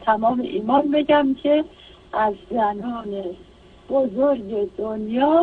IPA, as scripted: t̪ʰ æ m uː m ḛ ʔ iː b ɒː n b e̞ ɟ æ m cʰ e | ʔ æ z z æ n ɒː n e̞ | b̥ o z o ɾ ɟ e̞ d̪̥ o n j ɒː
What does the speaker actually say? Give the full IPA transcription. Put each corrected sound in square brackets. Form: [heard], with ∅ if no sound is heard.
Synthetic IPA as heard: t̪ʰ æ m [ɒː] m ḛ ʔ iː [m] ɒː n b e̞ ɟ æ m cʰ e | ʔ æ z z æ n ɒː n e̞ | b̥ o z o ɾ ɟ e̞ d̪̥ o n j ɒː